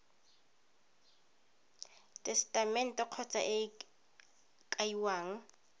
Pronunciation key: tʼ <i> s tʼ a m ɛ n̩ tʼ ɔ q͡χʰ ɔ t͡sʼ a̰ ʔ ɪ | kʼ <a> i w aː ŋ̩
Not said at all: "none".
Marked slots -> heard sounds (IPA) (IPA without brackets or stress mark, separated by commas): ɛ, a